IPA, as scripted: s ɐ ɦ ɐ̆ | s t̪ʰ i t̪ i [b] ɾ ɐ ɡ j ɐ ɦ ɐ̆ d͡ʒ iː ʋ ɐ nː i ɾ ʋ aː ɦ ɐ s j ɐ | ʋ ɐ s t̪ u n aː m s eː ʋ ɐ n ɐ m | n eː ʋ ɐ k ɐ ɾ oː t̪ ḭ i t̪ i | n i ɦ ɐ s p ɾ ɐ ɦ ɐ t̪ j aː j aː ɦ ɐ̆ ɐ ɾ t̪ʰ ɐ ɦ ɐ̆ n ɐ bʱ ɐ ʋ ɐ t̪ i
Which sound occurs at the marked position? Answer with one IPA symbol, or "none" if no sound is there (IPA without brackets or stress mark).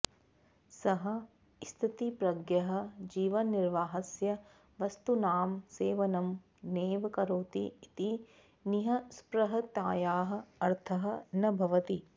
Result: p